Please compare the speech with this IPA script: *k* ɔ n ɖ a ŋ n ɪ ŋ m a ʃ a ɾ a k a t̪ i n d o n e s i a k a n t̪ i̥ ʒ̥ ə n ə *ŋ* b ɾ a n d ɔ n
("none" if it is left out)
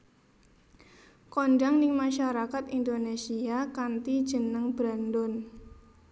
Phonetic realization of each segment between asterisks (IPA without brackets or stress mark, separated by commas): k, ŋ